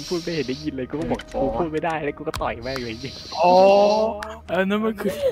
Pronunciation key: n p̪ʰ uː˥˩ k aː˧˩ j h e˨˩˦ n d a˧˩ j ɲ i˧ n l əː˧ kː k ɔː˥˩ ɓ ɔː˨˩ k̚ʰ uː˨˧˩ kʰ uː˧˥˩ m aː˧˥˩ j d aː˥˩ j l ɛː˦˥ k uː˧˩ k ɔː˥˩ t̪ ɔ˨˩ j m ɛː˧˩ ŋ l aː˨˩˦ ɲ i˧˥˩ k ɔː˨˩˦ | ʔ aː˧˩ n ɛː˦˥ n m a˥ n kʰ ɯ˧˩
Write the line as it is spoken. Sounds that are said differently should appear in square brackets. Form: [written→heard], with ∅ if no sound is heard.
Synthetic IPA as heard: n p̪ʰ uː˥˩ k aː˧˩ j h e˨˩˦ n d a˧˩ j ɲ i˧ n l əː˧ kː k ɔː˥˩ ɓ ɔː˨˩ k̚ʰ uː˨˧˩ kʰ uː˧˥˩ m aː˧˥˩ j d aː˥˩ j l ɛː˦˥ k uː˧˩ k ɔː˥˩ t̪ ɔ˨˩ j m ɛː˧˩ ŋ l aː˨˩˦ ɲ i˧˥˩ [k→ʔ] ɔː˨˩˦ | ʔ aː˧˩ n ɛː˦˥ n m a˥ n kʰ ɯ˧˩